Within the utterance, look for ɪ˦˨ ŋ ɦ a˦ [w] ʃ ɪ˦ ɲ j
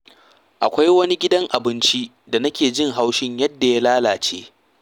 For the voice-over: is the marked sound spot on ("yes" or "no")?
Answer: yes